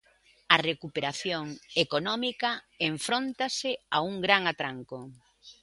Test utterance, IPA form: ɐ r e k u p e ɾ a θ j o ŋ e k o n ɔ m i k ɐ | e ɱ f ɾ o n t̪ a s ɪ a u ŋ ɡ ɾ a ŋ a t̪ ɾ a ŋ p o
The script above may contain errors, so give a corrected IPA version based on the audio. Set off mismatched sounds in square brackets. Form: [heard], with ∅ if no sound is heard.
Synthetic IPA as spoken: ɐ r e k u p e ɾ a θ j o ŋ e k o n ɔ m i k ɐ | e ɱ f ɾ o n t̪ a s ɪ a u ŋ ɡ ɾ a ŋ a t̪ ɾ a ŋ [k] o